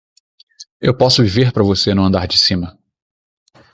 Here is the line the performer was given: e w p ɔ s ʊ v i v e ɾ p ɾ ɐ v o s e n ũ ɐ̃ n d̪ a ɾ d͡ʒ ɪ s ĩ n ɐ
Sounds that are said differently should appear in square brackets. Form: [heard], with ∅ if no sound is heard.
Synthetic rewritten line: e w p ɔ s ʊ v i v e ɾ p ɾ ɐ v o s e n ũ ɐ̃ n d̪ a ɾ d͡ʒ ɪ s ĩ [m] ɐ